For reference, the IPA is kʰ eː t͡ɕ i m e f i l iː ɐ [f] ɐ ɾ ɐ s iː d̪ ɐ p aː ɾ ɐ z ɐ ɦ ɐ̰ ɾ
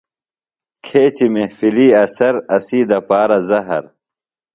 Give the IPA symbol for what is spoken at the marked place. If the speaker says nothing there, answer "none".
s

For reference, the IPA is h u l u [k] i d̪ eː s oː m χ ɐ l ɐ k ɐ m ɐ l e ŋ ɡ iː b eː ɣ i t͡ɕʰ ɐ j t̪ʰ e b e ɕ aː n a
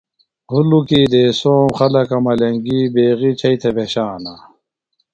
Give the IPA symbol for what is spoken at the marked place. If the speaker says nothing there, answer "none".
k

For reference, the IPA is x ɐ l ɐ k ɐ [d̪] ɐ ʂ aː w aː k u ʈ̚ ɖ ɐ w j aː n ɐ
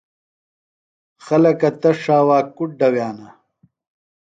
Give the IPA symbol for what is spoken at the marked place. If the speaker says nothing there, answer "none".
t̪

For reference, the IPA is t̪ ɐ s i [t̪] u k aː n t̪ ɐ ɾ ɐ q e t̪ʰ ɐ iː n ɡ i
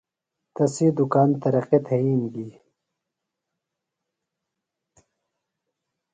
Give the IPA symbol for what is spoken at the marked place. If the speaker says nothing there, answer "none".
d̪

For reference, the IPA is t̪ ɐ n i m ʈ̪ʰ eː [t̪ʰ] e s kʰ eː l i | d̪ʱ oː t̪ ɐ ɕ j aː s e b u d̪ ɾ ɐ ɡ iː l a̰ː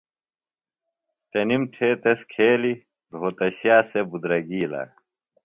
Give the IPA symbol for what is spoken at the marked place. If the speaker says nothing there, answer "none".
t̪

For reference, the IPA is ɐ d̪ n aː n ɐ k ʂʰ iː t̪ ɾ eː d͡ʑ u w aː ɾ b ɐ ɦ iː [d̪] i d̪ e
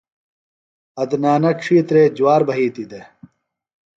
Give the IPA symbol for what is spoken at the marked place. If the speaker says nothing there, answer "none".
t̪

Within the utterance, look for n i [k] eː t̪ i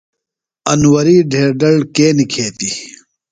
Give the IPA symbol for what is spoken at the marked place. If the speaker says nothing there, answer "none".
kʰ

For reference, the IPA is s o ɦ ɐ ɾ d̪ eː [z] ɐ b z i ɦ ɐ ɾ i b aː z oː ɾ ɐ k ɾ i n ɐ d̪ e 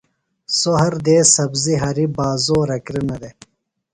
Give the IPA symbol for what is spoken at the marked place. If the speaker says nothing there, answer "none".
s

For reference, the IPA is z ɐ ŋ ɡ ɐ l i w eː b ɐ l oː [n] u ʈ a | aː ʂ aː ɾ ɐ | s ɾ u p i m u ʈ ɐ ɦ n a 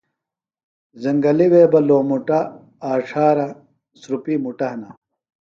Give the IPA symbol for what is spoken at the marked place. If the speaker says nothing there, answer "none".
m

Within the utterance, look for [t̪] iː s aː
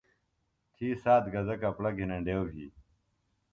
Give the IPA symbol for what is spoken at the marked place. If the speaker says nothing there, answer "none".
t̪ʰ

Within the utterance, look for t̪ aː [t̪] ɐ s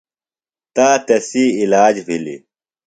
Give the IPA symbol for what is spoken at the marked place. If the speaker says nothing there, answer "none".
t̪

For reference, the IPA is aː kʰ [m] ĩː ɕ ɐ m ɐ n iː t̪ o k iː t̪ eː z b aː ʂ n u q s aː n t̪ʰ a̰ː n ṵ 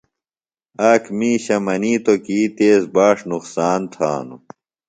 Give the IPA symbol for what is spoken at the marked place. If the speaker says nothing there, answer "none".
m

